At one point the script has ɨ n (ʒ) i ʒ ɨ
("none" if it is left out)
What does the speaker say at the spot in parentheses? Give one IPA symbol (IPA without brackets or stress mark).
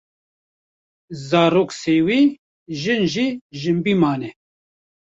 ʒ